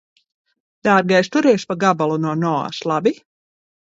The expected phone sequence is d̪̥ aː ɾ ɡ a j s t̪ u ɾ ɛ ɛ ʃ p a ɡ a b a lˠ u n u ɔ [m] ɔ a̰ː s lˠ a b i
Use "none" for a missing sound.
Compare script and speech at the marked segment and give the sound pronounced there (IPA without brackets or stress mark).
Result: n